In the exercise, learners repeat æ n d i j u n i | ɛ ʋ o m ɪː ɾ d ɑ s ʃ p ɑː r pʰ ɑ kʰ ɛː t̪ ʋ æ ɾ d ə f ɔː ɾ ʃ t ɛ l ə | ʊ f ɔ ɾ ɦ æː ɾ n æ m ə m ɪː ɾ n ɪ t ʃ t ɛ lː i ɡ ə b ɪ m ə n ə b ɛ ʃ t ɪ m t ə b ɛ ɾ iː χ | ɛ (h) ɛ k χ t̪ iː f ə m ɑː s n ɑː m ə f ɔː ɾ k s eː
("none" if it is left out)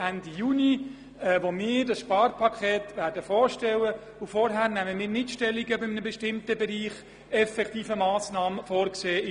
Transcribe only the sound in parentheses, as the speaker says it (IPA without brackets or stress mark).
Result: f